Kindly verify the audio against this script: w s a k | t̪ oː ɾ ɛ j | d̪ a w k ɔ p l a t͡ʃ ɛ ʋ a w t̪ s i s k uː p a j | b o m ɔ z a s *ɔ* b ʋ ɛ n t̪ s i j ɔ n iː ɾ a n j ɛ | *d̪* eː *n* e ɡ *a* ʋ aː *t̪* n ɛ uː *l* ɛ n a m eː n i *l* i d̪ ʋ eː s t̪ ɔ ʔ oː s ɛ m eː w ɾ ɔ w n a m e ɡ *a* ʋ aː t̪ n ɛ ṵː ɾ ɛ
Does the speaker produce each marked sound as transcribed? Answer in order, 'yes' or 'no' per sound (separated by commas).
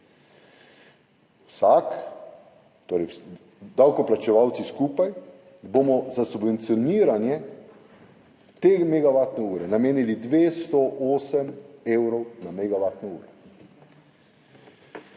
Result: no, no, no, yes, yes, no, yes, yes